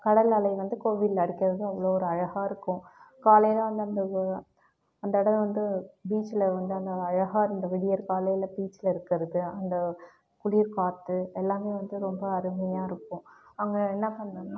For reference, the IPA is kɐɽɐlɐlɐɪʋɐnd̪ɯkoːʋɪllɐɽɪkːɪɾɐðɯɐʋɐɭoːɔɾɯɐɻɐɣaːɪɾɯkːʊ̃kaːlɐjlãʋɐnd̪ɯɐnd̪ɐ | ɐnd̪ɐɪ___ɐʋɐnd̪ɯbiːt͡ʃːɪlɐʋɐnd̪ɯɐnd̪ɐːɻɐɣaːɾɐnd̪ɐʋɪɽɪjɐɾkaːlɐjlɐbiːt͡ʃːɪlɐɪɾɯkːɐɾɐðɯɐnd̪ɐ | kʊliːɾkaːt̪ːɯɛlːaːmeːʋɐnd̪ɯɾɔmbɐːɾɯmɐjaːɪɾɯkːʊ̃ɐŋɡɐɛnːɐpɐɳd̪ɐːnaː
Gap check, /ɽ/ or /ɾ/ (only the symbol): ɽ